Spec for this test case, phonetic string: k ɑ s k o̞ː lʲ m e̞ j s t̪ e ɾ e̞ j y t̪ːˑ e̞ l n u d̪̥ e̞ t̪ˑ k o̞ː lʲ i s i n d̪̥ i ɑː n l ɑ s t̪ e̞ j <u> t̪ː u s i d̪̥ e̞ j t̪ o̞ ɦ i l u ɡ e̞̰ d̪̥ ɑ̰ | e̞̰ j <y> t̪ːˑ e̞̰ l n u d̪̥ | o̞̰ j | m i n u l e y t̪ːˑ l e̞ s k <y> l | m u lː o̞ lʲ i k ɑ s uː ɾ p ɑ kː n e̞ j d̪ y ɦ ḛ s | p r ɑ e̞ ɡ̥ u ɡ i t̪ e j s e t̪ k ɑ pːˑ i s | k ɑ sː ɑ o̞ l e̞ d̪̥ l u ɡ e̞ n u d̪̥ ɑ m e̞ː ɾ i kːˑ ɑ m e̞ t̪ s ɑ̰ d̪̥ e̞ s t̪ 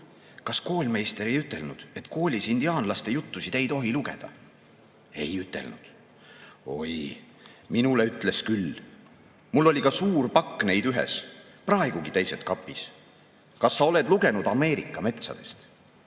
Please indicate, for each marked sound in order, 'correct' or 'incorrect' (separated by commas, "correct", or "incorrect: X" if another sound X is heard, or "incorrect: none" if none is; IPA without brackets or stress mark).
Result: correct, correct, correct